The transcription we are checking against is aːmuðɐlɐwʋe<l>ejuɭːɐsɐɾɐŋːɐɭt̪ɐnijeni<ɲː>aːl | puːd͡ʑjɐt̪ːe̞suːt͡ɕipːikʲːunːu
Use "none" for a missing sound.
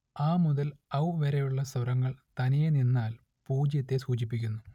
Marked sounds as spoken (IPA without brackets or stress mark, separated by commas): ɾ, nː